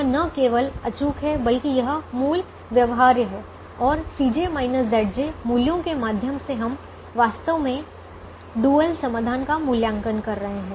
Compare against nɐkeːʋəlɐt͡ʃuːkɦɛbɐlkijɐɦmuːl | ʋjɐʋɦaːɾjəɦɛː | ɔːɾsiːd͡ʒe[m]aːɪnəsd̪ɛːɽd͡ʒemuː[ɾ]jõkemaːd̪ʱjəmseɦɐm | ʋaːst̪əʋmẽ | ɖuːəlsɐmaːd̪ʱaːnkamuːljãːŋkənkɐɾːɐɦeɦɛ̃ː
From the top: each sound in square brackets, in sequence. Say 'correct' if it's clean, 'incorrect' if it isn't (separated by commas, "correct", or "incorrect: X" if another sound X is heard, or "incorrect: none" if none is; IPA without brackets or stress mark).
correct, incorrect: l